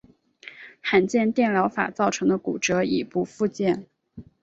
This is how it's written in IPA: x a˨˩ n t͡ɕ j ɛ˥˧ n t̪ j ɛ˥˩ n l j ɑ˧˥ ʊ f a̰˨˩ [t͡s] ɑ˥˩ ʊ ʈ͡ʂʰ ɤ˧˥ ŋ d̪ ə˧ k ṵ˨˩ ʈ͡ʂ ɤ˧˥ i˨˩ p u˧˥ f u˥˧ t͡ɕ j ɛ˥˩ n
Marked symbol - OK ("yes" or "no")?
yes